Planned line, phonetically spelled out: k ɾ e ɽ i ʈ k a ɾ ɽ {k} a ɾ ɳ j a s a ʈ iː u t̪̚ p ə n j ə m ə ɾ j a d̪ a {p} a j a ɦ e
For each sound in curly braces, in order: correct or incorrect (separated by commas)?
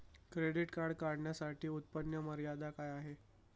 correct, incorrect